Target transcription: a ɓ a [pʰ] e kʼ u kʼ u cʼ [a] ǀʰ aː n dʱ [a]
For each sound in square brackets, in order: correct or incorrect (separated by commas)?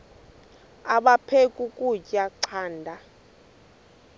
correct, correct, correct